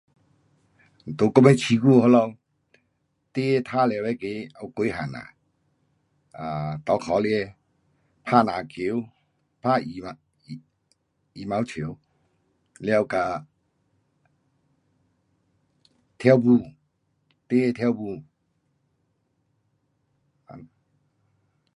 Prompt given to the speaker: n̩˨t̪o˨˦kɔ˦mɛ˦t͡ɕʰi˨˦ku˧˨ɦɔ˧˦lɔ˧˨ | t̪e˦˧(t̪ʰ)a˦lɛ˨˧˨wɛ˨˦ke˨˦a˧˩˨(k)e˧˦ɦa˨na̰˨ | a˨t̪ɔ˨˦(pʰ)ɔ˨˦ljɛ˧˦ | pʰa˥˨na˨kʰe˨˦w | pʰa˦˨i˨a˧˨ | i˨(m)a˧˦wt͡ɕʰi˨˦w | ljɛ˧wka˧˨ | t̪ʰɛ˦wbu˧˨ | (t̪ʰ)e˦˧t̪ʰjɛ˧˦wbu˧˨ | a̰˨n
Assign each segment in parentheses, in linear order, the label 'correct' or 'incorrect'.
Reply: correct, correct, incorrect, correct, incorrect

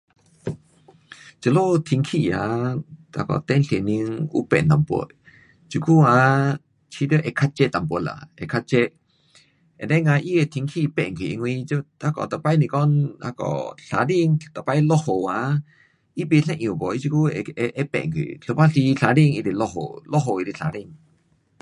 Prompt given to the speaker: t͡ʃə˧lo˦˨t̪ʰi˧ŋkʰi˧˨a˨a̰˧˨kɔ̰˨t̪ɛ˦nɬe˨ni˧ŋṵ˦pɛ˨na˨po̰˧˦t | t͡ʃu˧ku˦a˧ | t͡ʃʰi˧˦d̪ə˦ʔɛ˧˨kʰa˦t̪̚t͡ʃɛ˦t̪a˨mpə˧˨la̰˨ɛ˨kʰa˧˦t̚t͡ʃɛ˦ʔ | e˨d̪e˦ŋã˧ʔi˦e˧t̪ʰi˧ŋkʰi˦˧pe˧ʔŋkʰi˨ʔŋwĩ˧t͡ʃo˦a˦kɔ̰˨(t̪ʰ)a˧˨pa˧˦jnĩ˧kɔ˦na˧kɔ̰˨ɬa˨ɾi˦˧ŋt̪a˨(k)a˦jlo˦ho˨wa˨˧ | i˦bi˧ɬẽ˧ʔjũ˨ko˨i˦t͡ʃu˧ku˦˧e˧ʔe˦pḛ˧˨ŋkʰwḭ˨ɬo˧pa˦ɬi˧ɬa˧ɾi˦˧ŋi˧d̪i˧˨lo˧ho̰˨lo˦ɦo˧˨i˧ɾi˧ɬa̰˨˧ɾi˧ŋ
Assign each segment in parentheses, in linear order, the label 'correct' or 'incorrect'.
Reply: incorrect, incorrect

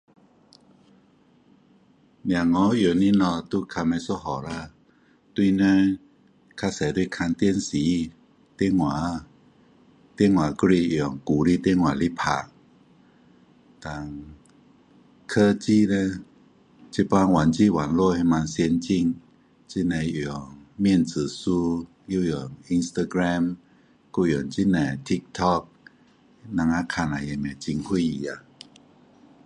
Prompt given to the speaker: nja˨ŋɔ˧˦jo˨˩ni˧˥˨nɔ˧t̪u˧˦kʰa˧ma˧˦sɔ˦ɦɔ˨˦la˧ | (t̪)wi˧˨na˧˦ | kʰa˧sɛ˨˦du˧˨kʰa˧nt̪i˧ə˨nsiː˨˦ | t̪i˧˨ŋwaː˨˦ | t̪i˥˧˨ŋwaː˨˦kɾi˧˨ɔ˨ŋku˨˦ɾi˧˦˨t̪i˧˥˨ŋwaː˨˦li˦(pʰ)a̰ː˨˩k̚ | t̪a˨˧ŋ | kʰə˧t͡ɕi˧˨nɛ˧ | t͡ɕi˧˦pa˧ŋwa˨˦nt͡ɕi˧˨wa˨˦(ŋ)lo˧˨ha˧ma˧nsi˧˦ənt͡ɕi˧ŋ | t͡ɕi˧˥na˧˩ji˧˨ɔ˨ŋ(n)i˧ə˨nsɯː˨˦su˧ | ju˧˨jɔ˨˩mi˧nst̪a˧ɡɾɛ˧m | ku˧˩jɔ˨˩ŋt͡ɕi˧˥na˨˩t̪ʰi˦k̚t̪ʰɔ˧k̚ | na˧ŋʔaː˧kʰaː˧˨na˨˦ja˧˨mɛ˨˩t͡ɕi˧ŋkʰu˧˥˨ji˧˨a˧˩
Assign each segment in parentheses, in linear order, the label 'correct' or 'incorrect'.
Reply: correct, correct, incorrect, incorrect

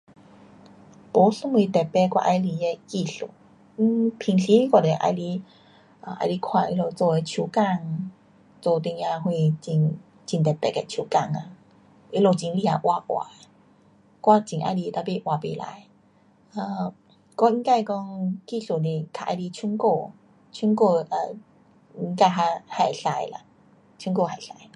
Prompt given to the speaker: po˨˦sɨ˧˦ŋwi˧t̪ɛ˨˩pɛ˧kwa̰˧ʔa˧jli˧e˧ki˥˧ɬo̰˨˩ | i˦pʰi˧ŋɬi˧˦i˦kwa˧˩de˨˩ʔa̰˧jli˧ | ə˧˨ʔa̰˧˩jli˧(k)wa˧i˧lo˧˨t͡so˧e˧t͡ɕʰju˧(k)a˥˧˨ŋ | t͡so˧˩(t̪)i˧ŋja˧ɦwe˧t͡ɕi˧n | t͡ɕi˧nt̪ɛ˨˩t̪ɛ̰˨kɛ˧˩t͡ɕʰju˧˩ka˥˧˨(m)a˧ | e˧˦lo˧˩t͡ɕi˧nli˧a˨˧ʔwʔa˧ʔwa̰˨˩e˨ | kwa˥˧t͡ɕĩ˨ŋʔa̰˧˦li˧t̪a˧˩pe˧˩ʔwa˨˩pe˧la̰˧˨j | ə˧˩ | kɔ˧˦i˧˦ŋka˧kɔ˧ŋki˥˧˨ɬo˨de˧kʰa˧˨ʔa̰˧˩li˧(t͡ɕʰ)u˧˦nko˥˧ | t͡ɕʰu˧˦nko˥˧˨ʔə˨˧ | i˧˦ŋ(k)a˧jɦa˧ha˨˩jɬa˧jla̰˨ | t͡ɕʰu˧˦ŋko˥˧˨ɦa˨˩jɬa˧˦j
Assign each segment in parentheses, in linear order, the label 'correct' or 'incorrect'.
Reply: incorrect, correct, correct, incorrect, correct, correct

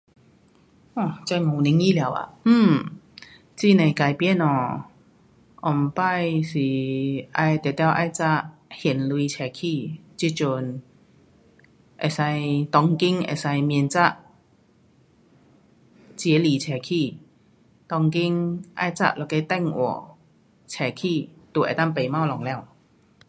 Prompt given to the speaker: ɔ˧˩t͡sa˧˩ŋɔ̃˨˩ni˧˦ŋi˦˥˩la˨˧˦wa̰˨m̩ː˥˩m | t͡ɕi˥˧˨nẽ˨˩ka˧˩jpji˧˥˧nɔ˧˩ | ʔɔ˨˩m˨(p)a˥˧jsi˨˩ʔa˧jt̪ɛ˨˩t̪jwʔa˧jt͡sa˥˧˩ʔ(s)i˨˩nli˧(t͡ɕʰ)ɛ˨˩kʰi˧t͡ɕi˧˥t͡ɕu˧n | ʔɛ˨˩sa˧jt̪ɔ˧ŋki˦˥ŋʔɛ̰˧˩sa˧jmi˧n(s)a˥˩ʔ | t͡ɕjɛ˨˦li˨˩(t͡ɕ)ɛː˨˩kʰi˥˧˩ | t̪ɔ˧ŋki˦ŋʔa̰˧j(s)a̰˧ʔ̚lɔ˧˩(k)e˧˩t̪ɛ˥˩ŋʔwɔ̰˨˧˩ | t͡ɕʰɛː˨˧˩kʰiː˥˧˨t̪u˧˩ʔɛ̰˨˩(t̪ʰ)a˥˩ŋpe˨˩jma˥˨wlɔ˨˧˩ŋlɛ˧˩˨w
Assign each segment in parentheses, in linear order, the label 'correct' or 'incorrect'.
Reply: correct, incorrect, correct, incorrect, incorrect, incorrect, correct, incorrect

